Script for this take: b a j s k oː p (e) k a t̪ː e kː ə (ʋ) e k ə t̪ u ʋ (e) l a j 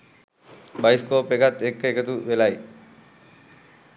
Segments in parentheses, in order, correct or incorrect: correct, incorrect: none, correct

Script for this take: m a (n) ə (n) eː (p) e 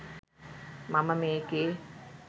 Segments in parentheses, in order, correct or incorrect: incorrect: m, incorrect: m, incorrect: k

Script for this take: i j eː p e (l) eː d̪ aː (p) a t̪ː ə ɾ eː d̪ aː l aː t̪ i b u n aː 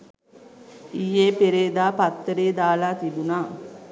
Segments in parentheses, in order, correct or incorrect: incorrect: ɾ, correct

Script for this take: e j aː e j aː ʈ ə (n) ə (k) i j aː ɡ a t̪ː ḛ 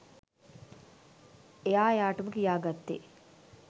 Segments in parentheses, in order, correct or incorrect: incorrect: m, correct

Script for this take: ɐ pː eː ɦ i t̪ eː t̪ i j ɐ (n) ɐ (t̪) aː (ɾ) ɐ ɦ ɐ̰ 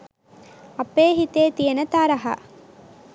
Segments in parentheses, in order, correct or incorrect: correct, correct, correct

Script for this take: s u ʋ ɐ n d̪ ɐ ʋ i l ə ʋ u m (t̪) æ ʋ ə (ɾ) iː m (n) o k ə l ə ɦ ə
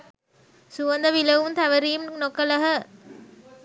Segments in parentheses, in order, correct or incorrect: correct, correct, correct

